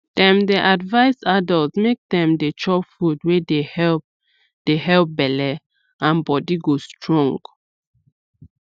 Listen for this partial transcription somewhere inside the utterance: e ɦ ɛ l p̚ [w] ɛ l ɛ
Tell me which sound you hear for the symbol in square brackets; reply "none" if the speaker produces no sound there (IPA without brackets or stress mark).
b